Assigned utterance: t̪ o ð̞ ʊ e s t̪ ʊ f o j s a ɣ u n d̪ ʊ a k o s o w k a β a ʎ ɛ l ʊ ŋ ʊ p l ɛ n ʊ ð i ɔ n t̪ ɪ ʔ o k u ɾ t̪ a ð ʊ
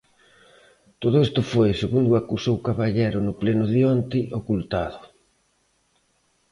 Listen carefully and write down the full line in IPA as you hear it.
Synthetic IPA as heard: t̪ o ð̞ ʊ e s t̪ ʊ f o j s e ɣ u n d̪ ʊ a k u s o w k a β a ʎ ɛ ɾ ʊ n ʊ p l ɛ n ʊ ð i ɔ n t̪ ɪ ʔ o k u l t̪ a ð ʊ